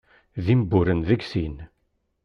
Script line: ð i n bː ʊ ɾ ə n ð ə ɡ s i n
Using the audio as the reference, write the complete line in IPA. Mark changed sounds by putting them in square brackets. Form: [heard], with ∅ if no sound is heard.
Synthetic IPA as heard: ð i [m] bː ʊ ɾ ə n ð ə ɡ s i n